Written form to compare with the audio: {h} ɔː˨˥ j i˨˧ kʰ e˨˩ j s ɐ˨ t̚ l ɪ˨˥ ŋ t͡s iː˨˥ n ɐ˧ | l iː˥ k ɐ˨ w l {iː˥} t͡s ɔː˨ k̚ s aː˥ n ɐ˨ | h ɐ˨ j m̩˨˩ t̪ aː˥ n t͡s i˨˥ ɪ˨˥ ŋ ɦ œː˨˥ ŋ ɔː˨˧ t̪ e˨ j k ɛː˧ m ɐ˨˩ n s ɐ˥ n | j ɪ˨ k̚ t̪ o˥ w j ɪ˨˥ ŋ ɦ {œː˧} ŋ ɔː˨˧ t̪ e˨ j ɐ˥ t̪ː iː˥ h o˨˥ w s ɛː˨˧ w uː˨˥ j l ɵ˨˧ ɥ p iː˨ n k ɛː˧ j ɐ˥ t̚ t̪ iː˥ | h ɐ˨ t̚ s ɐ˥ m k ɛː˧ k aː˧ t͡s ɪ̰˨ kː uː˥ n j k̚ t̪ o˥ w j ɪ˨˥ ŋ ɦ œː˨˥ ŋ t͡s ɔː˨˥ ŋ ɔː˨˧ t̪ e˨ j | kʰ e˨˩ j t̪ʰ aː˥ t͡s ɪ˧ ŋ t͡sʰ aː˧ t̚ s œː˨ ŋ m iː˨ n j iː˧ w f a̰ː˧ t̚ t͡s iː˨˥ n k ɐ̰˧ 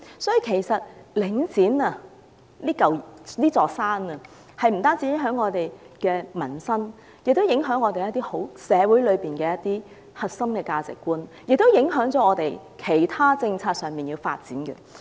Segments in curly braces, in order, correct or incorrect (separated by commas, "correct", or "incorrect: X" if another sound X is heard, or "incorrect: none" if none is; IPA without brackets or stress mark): incorrect: s, correct, incorrect: œː˨˥